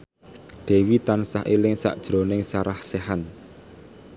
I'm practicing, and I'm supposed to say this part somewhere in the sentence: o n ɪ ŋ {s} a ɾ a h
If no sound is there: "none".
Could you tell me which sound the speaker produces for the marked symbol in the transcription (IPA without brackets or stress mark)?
s